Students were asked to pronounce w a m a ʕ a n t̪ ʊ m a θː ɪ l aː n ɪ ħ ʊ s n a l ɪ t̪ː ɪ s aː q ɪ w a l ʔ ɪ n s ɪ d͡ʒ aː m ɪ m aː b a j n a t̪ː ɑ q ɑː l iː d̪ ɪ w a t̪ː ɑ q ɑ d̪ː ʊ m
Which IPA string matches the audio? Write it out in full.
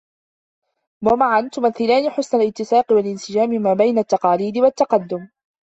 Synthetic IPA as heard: w a m a ʕ a n t̪ ʊ m a θː ɪ l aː n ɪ ħ ʊ s n a l ɪ t̪ː ɪ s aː q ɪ w a l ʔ ɪ n s ɪ d͡ʒ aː m ɪ m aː b a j n a t̪ː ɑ q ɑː l iː d̪ ɪ w a t̪ː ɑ q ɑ d̪ː ʊ m